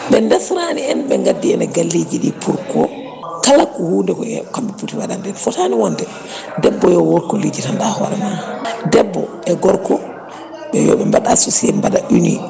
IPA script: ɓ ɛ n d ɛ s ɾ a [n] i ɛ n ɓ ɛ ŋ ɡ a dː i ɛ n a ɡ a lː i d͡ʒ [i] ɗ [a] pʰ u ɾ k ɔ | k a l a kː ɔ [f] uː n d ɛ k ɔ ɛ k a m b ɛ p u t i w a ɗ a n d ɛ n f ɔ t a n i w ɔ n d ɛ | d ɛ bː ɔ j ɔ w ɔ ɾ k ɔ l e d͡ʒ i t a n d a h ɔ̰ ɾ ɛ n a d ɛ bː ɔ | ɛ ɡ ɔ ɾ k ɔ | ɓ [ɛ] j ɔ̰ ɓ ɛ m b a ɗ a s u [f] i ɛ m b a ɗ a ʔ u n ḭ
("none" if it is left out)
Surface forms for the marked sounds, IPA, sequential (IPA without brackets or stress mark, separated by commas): n, i, i, h, ɛ, s